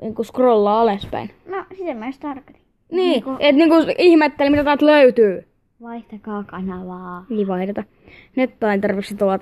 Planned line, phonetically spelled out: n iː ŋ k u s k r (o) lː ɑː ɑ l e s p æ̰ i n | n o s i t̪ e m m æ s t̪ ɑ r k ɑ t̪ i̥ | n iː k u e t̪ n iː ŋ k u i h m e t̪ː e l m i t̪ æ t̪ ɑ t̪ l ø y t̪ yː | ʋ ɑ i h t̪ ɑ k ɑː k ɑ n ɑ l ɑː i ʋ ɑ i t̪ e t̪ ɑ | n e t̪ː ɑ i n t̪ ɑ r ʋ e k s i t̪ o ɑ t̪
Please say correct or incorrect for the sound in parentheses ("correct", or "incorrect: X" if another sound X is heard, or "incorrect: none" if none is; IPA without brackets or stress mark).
correct